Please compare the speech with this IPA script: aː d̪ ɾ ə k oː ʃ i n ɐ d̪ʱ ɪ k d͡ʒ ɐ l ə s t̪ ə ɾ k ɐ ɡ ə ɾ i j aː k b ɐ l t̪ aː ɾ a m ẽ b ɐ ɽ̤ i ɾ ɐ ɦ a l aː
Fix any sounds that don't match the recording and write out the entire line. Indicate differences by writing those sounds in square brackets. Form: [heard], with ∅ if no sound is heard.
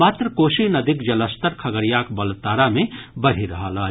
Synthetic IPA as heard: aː [t̪] ɾ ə k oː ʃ i n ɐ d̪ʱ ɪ k d͡ʒ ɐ l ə s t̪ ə ɾ [kʰ] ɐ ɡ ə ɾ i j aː k b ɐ l t̪ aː ɾ a m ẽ b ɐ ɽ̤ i ɾ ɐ ɦ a l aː